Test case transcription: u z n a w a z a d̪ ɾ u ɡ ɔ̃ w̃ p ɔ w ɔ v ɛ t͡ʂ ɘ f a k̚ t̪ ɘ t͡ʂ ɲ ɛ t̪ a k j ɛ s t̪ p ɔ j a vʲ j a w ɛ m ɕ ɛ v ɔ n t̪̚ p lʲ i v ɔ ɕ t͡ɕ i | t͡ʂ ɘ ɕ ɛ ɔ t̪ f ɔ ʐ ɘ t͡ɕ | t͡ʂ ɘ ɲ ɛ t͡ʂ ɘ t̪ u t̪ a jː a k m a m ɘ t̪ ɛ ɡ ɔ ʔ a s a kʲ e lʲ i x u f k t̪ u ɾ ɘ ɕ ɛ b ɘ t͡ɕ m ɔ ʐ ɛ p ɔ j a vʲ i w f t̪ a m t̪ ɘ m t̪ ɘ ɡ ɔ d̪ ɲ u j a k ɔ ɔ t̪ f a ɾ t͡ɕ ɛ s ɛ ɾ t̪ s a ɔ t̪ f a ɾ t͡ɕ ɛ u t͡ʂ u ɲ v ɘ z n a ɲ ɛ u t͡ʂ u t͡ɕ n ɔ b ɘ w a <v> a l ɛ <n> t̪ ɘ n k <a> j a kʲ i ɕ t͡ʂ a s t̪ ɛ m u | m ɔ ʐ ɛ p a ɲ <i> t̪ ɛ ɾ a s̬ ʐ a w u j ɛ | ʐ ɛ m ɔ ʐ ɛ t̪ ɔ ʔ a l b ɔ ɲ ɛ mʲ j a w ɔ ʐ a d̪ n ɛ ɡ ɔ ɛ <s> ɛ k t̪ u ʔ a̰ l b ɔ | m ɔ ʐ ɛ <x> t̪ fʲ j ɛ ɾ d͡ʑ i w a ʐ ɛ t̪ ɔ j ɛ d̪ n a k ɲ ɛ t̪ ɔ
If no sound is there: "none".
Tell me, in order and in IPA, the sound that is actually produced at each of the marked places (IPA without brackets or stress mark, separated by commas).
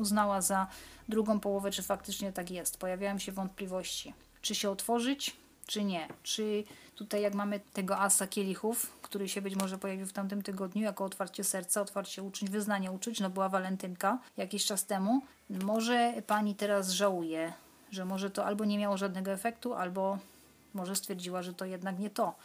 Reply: v, n, a, i, f, s